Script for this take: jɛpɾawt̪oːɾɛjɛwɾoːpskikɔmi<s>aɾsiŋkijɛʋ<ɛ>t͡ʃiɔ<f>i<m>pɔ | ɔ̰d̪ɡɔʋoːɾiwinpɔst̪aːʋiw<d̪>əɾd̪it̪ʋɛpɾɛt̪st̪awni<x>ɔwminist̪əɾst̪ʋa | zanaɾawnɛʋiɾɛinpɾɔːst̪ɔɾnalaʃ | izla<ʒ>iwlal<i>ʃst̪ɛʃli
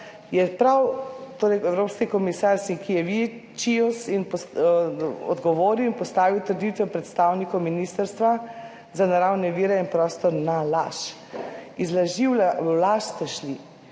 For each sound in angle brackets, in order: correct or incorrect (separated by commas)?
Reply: correct, incorrect, incorrect, incorrect, incorrect, incorrect, correct, incorrect